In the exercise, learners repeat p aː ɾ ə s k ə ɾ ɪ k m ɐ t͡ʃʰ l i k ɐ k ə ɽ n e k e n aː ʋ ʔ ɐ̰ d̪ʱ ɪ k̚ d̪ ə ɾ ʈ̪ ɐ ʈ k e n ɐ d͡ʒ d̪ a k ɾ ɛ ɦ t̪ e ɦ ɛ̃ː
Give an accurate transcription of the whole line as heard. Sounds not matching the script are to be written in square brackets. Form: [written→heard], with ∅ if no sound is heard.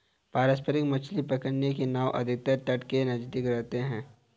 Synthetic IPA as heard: p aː ɾ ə s [k→p] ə ɾ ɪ k m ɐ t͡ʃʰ l i [k→p] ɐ k ə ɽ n e k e n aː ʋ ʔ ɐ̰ d̪ʱ ɪ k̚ [d̪→t̪] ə ɾ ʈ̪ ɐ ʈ k e n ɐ d͡ʒ d̪ [a→i] k ɾ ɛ ɦ t̪ e ɦ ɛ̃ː